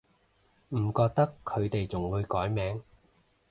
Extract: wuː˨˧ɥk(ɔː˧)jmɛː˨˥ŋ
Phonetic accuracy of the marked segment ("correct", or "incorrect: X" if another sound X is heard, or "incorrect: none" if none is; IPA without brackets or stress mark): incorrect: ɔː˨˥